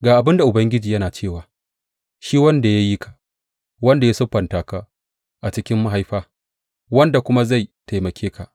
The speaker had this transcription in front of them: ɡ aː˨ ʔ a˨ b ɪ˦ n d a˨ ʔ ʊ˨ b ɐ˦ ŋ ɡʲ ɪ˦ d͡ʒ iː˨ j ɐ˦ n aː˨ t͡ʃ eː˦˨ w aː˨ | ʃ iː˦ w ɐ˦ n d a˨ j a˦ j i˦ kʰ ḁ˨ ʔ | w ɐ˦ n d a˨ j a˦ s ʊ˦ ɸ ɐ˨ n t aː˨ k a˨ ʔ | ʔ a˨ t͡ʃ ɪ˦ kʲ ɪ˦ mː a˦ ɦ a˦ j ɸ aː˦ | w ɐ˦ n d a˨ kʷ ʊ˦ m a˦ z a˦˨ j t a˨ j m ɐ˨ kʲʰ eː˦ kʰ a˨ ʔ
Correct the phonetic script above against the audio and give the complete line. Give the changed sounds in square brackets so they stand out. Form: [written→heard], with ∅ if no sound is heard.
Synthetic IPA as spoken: ɡ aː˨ ʔ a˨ b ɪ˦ n d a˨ ʔ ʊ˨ b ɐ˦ ŋ ɡʲ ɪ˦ d͡ʒ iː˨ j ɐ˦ n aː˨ t͡ʃ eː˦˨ w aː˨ | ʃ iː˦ w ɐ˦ n d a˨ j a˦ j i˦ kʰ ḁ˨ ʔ | w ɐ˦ n d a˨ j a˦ s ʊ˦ ɸ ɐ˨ n t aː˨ k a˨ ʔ | ʔ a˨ t͡ʃ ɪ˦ kʲ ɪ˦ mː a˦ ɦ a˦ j ɸ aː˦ | w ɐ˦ n d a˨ kʷ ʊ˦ m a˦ z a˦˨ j t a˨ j m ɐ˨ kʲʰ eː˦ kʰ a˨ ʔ